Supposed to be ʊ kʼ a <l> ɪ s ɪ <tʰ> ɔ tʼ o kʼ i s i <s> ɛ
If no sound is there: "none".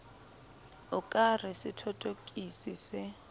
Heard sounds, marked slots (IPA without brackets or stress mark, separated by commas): r, tʰ, s